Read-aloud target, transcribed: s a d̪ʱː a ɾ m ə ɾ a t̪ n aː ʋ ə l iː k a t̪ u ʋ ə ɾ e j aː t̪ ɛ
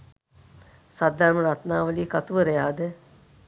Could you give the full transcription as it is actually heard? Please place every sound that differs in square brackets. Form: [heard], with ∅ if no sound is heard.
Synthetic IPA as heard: s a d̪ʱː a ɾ m ə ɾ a t̪ n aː ʋ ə l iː k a t̪ u ʋ ə ɾ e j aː [d̪] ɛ

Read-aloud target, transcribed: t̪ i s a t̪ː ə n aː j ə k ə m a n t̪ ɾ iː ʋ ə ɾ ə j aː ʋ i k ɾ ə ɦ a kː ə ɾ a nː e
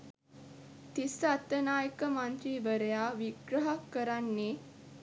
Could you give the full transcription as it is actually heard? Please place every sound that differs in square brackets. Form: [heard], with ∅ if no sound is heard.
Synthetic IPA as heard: t̪ i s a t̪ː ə n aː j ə k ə m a n t̪ ɾ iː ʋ ə ɾ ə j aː ʋ i [ɡ] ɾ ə ɦ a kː ə ɾ a nː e

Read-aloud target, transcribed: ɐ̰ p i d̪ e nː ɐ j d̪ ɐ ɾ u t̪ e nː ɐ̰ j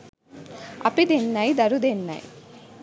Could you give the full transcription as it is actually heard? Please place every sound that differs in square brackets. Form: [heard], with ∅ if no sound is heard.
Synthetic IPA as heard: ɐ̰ p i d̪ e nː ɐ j d̪ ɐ ɾ u [d̪] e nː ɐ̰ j

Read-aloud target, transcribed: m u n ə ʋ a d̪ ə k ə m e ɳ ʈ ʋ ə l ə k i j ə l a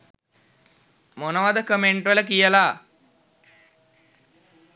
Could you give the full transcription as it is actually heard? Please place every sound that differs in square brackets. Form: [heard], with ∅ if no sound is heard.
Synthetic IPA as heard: m [o] n ə ʋ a d̪ ə k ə m e ɳ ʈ ʋ ə l ə k i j ə l a

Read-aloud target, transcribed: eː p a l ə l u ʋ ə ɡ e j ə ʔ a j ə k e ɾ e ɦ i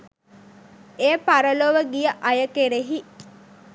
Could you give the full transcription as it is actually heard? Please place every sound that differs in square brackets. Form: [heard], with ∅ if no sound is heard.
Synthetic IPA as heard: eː p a [ɾ] ə l [o] ʋ ə ɡ [i] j ə ʔ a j ə k e ɾ e ɦ i

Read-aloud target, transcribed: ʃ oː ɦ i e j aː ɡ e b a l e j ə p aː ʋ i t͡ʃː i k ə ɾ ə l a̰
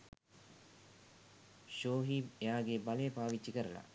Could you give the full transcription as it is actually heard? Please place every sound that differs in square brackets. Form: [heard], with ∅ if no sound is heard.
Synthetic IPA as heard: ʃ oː ɦ i e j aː ɡ e b a l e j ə p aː ʋ i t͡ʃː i k ə ɾ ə l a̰

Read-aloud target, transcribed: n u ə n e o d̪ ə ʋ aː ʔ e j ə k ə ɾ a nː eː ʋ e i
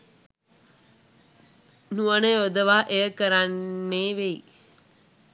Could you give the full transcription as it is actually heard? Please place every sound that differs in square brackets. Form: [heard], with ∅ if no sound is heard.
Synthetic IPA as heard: n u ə n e o d̪ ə ʋ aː ʔ e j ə k ə ɾ a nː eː ʋ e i

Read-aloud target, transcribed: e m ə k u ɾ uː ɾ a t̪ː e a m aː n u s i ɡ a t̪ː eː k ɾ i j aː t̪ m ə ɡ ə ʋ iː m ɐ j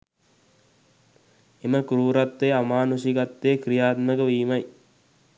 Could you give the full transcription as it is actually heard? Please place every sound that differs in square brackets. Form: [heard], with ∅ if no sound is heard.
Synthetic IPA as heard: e m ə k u ɾ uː ɾ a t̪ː e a m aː n u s i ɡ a t̪ː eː k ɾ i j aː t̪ m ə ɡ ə ʋ iː m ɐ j

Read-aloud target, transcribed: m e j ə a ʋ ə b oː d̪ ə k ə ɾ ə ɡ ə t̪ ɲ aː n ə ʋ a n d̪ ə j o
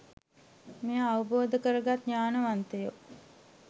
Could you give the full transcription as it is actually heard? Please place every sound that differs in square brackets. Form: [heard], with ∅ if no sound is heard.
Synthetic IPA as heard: m e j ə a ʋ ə b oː d̪ ə k ə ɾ ə ɡ [a] t̪ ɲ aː n ə ʋ a n [t̪] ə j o

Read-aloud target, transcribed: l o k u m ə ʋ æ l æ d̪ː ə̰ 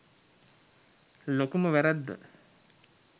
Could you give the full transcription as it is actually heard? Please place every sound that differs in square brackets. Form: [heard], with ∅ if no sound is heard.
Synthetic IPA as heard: l o k u m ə ʋ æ [ɾ] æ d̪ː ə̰

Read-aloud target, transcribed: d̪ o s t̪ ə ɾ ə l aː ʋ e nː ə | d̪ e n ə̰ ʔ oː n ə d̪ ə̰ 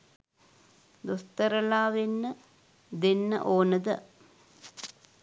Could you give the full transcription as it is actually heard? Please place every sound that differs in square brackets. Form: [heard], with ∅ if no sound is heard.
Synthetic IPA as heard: d̪ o s t̪ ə ɾ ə l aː ʋ e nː ə | d̪ e [nː] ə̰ ʔ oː n ə d̪ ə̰

